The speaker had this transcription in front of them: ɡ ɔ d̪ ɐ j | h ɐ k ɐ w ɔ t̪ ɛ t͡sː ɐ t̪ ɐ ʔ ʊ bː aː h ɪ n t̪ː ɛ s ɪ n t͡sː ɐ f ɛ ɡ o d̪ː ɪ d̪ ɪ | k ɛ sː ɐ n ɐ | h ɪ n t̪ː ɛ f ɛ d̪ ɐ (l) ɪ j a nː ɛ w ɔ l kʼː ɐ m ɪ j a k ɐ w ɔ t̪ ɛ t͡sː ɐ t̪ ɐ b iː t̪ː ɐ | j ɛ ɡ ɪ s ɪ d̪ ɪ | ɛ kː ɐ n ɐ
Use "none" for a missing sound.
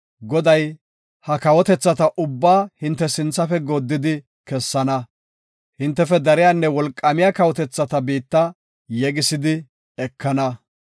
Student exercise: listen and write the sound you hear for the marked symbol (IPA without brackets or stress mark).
ɾ